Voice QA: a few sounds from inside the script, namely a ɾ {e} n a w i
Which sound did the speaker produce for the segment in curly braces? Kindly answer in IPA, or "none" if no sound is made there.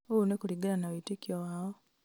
a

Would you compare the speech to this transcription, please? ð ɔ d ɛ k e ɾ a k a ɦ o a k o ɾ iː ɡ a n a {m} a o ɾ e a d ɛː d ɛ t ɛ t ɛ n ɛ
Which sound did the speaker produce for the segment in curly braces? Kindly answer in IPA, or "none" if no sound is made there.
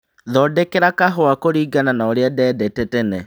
n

